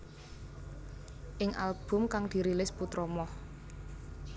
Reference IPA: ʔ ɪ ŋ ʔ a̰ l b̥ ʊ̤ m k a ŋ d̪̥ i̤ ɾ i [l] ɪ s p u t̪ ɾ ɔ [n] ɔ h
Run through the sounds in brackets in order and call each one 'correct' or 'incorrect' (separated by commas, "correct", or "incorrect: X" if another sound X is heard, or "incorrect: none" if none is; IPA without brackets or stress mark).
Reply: correct, incorrect: m